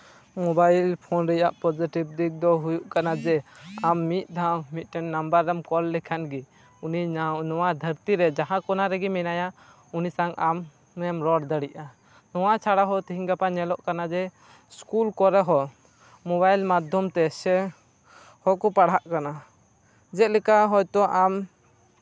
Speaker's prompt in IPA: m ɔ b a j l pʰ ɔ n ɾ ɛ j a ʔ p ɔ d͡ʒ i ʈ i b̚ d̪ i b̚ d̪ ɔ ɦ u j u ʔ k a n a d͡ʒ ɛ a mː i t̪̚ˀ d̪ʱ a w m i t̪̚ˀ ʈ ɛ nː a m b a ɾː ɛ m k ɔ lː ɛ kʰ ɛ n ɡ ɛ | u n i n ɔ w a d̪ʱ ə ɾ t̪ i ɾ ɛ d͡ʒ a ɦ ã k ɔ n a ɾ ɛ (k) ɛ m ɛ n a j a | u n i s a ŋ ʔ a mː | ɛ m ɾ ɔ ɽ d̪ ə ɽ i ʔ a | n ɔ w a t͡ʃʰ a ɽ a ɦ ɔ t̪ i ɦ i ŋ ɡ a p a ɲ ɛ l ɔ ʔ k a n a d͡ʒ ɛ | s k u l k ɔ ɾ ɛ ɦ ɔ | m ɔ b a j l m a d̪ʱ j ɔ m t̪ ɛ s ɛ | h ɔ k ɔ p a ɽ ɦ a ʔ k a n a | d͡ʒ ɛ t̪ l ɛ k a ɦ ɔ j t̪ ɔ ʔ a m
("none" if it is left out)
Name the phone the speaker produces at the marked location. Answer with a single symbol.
ɡ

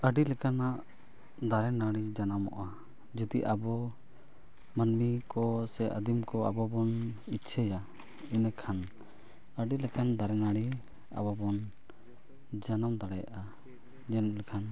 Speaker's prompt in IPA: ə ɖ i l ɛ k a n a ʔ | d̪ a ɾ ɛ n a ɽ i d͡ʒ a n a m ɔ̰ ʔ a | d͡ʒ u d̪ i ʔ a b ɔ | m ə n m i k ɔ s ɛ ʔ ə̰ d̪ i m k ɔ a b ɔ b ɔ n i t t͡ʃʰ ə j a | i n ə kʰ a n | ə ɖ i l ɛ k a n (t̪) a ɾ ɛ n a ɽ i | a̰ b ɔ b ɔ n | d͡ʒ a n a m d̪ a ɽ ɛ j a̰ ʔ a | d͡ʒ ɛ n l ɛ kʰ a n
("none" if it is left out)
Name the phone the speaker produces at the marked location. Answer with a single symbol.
d̪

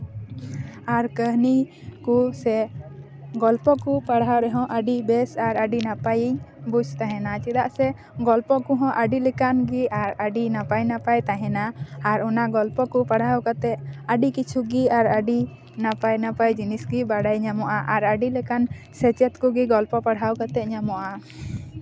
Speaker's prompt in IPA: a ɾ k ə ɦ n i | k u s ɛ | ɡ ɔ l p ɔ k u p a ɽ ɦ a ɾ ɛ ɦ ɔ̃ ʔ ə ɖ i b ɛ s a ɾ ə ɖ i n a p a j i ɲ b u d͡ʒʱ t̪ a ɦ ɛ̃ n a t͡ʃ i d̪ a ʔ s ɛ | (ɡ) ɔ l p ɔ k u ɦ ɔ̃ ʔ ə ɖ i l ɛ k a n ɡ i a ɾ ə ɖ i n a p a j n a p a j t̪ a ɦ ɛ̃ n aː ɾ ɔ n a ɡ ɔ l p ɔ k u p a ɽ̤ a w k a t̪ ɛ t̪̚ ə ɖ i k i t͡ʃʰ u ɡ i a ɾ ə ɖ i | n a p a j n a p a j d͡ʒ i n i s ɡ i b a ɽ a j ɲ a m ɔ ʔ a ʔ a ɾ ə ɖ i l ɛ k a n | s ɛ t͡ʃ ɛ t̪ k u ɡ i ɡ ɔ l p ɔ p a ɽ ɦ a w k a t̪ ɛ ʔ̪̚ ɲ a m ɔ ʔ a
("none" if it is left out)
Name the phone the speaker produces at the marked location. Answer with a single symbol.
ɡ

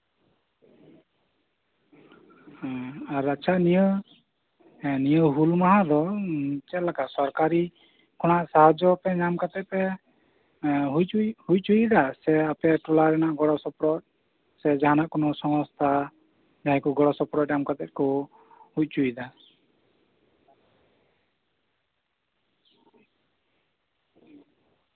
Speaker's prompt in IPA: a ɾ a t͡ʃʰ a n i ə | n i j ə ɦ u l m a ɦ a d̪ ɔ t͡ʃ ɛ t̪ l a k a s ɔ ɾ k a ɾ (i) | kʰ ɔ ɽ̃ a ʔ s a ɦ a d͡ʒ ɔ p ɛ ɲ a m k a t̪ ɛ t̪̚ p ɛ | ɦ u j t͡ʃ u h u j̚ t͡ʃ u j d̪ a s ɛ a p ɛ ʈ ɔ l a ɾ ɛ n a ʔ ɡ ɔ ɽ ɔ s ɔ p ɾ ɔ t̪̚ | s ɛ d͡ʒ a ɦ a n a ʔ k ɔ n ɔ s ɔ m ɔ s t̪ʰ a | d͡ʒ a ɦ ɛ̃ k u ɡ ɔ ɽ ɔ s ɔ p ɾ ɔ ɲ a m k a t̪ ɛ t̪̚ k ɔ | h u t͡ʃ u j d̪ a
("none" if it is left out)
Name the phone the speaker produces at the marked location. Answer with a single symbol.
i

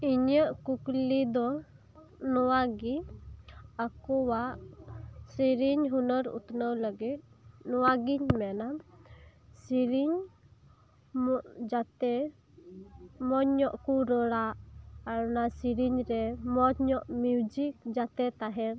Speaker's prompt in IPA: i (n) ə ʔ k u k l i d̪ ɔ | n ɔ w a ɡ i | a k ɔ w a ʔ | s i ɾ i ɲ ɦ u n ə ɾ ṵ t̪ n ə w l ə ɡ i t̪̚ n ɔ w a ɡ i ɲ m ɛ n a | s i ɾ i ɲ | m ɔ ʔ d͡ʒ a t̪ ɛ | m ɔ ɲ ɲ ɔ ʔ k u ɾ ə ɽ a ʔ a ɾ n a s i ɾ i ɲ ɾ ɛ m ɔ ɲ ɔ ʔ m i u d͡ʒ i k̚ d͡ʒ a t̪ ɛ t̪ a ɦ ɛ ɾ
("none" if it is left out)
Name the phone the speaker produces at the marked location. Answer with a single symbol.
ɲ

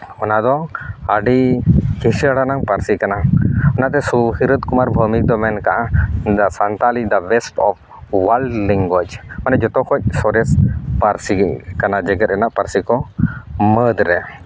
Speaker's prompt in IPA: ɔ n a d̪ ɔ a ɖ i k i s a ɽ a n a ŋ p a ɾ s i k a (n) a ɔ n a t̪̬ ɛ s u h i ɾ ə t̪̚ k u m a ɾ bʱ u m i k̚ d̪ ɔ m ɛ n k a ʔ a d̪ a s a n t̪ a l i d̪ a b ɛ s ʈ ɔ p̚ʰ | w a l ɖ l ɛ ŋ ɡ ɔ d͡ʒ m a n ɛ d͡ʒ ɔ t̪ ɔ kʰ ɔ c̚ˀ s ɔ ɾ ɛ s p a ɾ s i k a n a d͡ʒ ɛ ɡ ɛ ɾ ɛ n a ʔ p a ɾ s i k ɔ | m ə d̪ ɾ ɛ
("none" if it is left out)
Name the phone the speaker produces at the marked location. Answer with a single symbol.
n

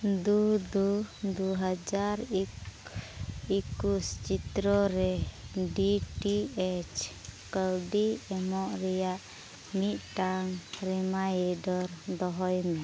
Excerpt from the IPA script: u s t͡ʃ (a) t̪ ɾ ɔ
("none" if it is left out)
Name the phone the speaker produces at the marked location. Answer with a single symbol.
i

